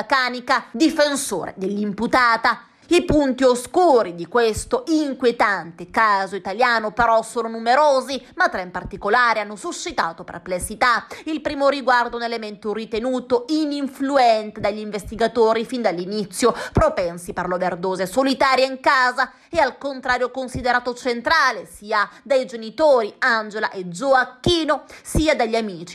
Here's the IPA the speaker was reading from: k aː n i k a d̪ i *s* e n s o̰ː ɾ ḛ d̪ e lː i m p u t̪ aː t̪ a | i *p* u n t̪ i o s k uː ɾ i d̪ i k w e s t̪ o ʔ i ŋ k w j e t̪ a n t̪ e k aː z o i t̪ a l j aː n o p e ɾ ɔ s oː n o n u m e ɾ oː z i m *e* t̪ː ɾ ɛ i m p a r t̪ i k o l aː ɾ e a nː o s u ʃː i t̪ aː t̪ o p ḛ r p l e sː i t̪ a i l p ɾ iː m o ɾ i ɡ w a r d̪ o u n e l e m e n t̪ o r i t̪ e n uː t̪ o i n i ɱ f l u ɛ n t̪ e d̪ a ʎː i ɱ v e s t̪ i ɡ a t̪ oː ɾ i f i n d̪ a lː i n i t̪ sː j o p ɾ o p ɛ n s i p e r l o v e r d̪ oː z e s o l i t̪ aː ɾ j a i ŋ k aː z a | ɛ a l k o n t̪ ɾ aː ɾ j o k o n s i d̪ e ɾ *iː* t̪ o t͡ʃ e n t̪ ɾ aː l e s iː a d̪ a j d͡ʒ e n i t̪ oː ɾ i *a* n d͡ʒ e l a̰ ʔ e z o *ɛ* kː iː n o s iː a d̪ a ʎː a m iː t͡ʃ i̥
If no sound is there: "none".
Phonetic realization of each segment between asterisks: f, p, a, aː, a, a

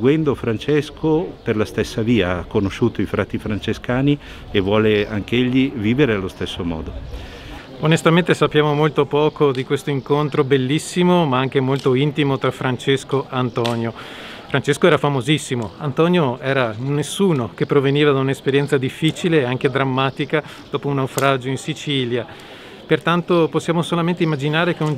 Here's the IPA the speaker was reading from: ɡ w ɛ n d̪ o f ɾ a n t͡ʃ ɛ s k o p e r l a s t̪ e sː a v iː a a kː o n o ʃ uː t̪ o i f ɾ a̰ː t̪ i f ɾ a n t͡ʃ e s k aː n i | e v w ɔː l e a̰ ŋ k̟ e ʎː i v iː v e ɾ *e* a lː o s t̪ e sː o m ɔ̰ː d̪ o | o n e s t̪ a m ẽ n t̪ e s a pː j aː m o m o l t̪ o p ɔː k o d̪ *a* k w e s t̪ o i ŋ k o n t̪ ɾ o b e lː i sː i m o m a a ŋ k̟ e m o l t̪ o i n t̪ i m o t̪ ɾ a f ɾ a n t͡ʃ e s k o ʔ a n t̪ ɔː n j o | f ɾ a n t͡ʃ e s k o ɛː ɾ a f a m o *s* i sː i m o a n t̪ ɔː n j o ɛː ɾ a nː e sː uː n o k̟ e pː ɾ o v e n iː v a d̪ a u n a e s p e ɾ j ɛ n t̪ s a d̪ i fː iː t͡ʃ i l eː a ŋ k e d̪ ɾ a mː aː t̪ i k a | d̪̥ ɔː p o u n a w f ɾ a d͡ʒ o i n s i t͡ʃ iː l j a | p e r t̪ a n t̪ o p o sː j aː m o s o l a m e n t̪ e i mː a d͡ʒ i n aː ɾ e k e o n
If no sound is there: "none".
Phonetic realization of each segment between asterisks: e, i, z

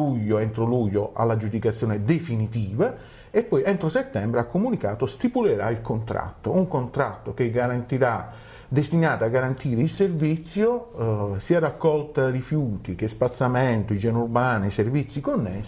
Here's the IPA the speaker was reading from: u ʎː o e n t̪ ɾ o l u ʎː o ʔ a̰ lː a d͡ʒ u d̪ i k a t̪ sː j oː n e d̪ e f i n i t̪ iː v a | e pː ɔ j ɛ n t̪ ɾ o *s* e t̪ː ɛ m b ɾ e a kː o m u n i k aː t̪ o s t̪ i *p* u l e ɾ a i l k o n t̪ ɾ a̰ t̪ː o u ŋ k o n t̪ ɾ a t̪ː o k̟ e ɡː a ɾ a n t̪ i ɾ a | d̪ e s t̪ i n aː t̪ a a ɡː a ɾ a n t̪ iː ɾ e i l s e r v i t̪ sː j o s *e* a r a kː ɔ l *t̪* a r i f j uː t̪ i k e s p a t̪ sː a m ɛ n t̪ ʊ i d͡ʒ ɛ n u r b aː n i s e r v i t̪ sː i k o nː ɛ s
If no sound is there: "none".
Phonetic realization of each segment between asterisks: s, p, i, t̪

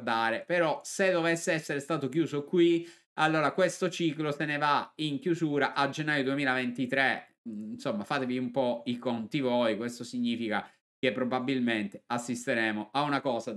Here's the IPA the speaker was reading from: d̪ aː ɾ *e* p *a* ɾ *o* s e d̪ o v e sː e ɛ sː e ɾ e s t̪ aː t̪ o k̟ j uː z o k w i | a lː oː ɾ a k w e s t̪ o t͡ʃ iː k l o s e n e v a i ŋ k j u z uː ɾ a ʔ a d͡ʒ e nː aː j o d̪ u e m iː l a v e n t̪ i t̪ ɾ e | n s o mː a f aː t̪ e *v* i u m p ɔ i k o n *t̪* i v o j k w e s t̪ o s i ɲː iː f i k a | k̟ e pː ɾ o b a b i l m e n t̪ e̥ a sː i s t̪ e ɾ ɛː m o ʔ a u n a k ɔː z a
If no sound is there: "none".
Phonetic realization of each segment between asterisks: e, e, ɔ, v, t̪

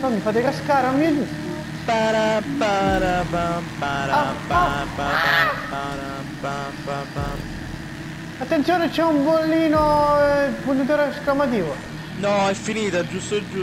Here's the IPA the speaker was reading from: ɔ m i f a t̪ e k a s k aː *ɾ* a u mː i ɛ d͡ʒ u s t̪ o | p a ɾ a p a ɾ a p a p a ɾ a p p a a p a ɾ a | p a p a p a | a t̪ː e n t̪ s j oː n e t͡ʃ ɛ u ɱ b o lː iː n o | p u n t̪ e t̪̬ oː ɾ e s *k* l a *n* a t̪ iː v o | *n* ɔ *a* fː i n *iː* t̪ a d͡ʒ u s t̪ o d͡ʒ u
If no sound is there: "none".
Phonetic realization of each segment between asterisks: ɾ, k, m, n, ɛ, iː

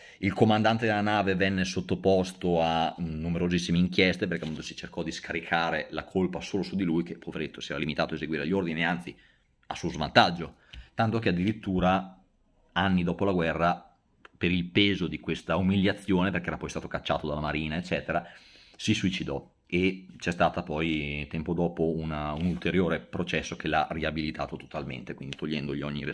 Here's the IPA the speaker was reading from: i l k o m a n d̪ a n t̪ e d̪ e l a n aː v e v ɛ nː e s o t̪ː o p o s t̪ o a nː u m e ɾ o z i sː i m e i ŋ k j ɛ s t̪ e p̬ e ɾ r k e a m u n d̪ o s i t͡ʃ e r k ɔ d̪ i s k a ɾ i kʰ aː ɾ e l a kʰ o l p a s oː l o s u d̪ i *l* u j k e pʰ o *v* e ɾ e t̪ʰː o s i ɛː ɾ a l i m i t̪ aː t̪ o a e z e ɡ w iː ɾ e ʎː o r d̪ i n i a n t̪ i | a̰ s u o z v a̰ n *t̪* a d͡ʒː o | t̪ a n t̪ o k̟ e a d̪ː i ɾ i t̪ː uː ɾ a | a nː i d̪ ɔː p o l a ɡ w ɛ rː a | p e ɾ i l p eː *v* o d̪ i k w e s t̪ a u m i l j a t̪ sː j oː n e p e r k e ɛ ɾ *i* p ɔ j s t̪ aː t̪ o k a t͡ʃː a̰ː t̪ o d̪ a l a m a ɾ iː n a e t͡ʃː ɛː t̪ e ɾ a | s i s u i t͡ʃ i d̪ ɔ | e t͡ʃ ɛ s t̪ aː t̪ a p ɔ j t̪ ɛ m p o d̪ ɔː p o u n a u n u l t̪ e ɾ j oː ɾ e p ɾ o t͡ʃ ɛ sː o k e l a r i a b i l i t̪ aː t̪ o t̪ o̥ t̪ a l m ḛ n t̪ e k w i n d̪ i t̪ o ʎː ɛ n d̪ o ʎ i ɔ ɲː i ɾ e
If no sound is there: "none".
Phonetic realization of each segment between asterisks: l, v, t̪, z, a

